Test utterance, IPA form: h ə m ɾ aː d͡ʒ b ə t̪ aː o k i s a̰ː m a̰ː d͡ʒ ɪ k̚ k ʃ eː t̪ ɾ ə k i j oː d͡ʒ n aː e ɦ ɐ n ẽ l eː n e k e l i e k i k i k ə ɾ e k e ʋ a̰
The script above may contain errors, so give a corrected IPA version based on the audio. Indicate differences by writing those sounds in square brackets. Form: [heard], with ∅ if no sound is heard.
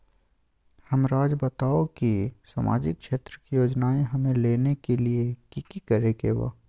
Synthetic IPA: h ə m ɾ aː d͡ʒ b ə t̪ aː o k i s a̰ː m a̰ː d͡ʒ ɪ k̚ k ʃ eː t̪ ɾ ə k i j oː d͡ʒ n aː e ɦ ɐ [m] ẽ l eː n e k e l i e k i k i k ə ɾ e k e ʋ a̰